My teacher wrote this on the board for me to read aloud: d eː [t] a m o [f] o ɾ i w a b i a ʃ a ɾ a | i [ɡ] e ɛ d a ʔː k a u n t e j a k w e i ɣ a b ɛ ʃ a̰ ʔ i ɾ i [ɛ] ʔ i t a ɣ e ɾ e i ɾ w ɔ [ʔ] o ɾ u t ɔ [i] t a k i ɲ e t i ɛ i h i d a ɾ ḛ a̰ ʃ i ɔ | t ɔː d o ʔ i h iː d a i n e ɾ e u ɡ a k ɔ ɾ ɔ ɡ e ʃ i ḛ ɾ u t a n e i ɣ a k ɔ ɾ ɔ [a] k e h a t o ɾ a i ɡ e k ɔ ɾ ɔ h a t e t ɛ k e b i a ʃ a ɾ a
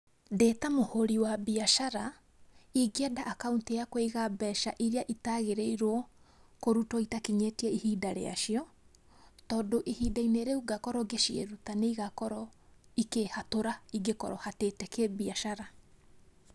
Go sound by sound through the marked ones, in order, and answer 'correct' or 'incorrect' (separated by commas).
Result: correct, incorrect, correct, incorrect, incorrect, correct, incorrect